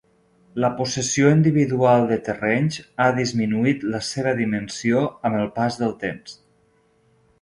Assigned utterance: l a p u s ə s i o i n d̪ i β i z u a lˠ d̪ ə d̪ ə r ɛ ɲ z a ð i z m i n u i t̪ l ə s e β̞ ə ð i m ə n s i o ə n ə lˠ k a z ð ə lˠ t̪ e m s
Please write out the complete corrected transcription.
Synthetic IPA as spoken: l ə p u s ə s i o i n d̪ i β i ð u a lˠ d̪ ə t̪ ə r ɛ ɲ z a ð i z m i n u i t̪ l ə s e β̞ ə ð i m ə n s i o ə m ə lˠ p a z ð ə lˠ t̪ e m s